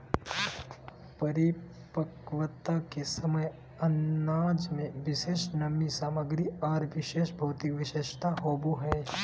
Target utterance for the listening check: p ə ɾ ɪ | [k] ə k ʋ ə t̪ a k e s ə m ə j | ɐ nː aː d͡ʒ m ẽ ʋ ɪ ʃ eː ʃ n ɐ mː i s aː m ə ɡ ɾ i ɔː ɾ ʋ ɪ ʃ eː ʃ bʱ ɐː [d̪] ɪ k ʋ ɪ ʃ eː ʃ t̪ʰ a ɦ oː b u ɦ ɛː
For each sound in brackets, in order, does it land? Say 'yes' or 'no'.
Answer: no, no

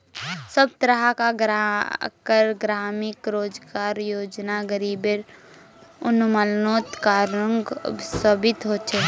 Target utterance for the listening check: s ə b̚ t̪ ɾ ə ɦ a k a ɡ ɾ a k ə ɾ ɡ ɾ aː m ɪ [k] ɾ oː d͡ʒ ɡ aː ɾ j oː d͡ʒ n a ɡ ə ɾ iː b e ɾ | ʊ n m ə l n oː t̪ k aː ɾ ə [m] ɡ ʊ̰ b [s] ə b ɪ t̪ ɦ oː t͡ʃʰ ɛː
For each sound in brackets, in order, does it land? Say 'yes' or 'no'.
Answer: yes, no, yes

